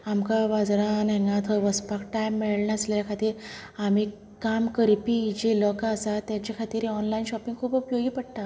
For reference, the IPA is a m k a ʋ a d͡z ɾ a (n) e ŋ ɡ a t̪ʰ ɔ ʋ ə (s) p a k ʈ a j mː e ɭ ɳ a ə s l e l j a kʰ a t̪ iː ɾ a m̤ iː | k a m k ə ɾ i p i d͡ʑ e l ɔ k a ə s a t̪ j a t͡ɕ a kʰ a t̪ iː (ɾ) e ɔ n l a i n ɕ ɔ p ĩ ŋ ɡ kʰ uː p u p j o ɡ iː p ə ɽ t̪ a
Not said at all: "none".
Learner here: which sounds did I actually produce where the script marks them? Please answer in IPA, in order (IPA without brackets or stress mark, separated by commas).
n, s, ɾ